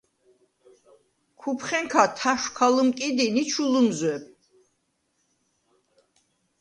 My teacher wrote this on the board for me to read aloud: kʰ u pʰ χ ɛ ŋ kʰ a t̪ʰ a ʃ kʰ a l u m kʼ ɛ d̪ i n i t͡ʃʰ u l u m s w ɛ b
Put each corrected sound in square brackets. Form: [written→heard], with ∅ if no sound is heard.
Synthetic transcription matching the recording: kʰ u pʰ χ ɛ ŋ kʰ a t̪ʰ a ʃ kʰ a l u m kʼ [ɛ→i] d̪ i n i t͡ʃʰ u l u m [s→z] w ɛ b

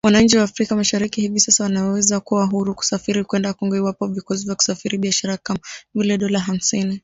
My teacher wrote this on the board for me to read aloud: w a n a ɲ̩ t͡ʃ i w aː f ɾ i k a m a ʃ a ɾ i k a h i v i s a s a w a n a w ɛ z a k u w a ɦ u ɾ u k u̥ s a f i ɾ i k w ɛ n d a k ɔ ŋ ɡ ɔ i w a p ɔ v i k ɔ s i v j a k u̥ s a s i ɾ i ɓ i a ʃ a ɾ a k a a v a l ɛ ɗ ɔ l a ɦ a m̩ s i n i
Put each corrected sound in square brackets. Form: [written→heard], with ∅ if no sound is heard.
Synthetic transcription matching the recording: w a n a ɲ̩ t͡ʃ i w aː f ɾ i k a m a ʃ a ɾ i k [a→i] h i v i s a s a w a n a w ɛ z a k u w a ɦ u ɾ u k u̥ s a f i ɾ i k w ɛ n d a k ɔ ŋ ɡ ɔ i w a p ɔ v i k ɔ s i v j a k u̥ s a [s→f] i ɾ i ɓ i a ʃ a ɾ a k a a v [a→i] l ɛ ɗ ɔ l a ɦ a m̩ s i n i

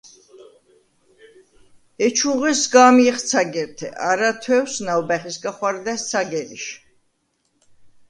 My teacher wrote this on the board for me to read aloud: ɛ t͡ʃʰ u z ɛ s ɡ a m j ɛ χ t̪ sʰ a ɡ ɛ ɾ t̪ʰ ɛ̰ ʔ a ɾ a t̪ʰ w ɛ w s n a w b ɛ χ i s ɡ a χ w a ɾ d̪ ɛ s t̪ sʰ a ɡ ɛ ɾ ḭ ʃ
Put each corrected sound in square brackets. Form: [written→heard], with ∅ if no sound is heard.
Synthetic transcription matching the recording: ɛ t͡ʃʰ u [z→ʁ] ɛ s ɡ a m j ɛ χ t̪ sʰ a ɡ ɛ ɾ t̪ʰ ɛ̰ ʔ a ɾ a t̪ʰ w ɛ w s n a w b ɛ χ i s ɡ a χ w a ɾ d̪ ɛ s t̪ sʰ a ɡ ɛ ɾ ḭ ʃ

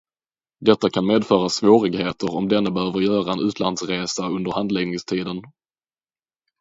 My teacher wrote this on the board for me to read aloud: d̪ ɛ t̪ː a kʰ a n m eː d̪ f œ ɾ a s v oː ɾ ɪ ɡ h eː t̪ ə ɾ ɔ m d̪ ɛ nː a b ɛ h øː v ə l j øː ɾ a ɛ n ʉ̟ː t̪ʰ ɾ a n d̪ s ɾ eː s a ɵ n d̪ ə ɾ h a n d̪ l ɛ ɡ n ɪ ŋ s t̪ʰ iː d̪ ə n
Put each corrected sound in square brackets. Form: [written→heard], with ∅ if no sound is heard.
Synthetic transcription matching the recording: d̪ ɛ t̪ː a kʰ a n m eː d̪ f [œ→œː] ɾ a s v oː ɾ ɪ ɡ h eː t̪ ə ɾ ɔ m d̪ ɛ nː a b ɛ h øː v ə [l→ɾ] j [øː→œː] ɾ a ɛ n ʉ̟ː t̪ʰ [ɾ→l] a n d̪ s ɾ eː s a ɵ n d̪ ə ɾ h a n d̪ l ɛ ɡ n ɪ ŋ s t̪ʰ iː d̪ ə n

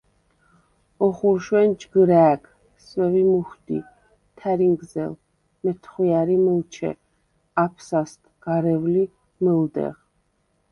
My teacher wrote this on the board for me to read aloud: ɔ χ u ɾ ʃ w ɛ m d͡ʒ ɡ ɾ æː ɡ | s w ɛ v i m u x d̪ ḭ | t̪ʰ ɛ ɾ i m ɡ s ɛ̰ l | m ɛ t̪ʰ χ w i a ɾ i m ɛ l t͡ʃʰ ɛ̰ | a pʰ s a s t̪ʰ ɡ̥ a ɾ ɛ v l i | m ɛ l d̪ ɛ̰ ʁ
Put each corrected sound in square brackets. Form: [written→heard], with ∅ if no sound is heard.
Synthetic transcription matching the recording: ɔ χ u ɾ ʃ w ɛ [m→n] d͡ʒ ɡ ɾ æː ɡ | s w ɛ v i m u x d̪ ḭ | t̪ʰ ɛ ɾ i [m→ŋ] ɡ [s→z] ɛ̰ l | m ɛ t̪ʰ χ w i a ɾ i m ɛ l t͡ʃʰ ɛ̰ | a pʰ s a s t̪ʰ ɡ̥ a ɾ ɛ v l i | m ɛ l d̪ ɛ̰ ʁ

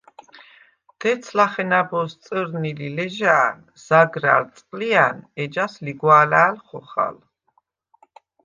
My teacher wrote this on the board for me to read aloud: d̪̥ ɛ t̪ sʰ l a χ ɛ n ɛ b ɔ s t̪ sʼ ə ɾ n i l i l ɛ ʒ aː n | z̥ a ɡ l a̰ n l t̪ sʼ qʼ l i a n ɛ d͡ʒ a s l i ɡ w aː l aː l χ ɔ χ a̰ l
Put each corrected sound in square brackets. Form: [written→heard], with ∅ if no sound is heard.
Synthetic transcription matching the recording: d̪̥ ɛ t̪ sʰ l a χ ɛ n [ɛ→a] b ɔ s t̪ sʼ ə ɾ n i l i l ɛ ʒ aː n | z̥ a ɡ [l→ɾ] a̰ [n→∅] l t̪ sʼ qʼ l i a n ɛ d͡ʒ a s l i ɡ w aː l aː l χ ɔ χ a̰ l

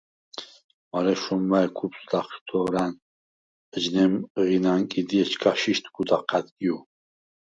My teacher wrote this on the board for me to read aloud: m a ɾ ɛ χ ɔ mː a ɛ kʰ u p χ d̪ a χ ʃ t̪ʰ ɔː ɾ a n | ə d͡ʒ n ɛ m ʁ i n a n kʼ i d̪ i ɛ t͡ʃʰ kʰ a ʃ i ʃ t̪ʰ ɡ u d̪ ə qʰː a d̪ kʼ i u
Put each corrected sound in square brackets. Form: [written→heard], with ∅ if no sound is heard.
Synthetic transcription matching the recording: m a ɾ ɛ [χ→ʃ] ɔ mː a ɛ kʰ u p [χ→s] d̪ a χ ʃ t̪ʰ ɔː ɾ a n | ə d͡ʒ n ɛ m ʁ i n a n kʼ i d̪ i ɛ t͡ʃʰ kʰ a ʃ i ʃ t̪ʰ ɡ u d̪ [ə→a] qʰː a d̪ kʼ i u

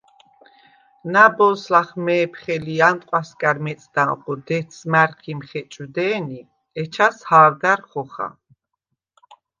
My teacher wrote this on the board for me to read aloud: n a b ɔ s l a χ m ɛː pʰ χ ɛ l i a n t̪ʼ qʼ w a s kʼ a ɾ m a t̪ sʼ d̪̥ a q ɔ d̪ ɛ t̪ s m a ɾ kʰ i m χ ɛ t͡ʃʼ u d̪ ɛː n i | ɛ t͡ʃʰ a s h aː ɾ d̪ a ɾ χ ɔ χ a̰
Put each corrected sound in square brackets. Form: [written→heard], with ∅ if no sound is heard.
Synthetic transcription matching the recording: n a b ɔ s l a χ m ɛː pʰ χ ɛ l i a n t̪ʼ qʼ w a s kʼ a ɾ m [a→ɛ] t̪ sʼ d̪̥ a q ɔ d̪ ɛ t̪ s m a ɾ kʰ i m χ ɛ t͡ʃʼ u d̪ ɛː n i | ɛ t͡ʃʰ a s h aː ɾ d̪ a ɾ χ ɔ χ a̰

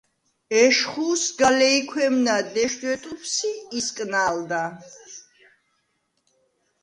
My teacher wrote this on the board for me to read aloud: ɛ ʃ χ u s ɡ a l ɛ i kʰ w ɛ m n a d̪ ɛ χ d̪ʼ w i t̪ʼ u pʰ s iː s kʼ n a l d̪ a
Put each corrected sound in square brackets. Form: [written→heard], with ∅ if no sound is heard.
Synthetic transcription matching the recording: ɛ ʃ χ u s ɡ a l ɛ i kʰ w ɛ m n a d̪ ɛ [χ→ʃ] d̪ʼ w [i→ɛ] t̪ʼ u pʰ s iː s kʼ n a l d̪ a

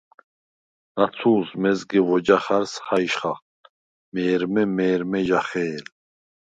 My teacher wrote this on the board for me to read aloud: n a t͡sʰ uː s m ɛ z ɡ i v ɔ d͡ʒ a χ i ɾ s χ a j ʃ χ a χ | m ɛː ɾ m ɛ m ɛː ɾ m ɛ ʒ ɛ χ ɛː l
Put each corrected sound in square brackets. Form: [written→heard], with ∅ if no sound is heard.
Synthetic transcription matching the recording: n a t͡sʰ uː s m ɛ z ɡ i v ɔ d͡ʒ a χ [i→a] ɾ s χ a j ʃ χ a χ | m ɛː ɾ m ɛ m ɛː ɾ m ɛ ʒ [ɛ→a] χ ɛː l

